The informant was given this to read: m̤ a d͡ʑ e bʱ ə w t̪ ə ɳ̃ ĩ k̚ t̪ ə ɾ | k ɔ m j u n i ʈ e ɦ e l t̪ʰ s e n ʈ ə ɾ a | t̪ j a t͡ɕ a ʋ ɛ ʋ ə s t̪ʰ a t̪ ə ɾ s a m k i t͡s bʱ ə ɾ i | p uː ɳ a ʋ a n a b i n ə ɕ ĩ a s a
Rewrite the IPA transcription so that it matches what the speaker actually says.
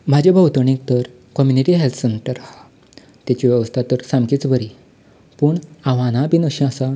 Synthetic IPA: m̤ a d͡ʑ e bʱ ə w t̪ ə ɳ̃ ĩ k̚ t̪ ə ɾ | k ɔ m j u n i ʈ i ɦ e l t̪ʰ s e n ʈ ə ɾ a | t̪ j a t͡ɕ i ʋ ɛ ʋ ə s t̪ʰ a t̪ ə ɾ s a m k i t͡s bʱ ə ɾ i | p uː ɳ a ʋ a n a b i n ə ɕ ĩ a s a